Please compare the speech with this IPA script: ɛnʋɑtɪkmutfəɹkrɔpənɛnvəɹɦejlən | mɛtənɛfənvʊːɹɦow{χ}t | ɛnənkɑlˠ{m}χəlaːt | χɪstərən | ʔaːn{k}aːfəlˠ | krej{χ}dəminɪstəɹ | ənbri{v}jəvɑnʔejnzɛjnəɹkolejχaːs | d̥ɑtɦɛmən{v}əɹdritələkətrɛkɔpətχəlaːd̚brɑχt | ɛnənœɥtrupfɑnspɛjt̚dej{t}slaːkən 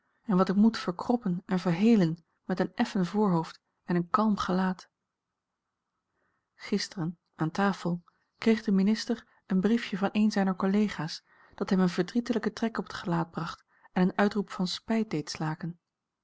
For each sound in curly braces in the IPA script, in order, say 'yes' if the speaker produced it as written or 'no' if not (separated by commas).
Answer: no, yes, no, yes, no, yes, yes